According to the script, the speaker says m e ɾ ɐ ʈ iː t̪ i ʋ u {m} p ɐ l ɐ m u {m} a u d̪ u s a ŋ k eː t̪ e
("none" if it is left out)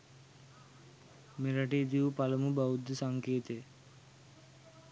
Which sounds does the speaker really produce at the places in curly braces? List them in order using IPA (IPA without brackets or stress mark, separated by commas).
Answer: none, b